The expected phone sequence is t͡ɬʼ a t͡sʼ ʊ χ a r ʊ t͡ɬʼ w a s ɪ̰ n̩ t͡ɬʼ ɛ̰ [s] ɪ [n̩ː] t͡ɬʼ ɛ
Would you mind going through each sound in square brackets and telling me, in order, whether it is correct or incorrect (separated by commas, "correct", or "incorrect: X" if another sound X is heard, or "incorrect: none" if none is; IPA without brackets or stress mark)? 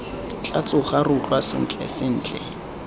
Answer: correct, correct